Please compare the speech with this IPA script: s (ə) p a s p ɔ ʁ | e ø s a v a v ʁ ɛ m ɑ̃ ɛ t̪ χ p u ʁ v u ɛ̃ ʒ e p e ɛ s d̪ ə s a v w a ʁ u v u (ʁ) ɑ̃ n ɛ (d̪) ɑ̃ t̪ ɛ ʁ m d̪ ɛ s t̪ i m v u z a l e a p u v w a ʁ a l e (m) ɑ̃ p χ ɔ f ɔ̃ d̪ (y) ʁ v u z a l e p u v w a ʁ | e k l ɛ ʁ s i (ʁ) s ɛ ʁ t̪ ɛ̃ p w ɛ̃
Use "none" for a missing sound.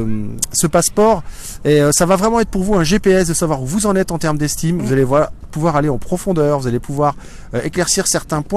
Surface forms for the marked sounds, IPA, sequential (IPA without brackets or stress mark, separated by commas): ə, z, t̪, none, œ, ʁ